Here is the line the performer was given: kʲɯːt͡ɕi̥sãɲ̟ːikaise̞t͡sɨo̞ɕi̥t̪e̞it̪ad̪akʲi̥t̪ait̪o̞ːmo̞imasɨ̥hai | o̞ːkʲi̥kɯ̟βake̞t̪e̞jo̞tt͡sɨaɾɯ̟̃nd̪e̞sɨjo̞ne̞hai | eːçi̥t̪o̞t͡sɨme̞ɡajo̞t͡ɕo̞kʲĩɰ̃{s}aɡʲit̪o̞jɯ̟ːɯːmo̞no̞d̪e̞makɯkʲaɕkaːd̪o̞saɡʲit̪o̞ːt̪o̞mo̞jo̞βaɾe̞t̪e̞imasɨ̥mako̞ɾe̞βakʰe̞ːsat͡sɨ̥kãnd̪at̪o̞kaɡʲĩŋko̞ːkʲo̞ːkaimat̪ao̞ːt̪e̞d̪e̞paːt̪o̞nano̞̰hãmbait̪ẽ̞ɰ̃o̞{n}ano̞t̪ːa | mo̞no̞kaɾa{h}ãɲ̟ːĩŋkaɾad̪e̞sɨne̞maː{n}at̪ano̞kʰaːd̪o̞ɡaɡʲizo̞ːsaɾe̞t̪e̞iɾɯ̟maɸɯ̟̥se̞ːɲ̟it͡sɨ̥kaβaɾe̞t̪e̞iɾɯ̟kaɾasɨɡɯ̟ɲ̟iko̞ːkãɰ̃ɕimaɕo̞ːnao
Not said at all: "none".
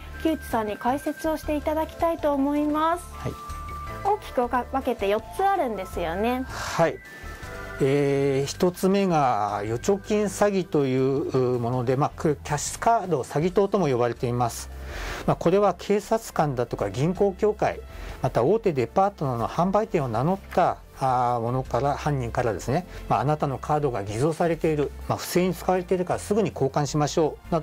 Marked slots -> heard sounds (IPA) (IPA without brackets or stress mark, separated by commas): s, n, h, n